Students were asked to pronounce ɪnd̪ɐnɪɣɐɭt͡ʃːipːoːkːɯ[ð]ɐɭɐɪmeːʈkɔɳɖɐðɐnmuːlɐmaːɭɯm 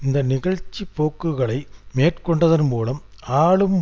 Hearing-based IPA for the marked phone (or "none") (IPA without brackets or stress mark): ɣ